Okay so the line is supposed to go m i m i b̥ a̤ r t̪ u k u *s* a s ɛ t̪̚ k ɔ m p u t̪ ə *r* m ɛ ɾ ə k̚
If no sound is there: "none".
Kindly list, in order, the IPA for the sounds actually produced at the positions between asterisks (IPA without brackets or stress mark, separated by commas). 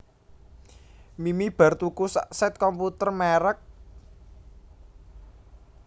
s, r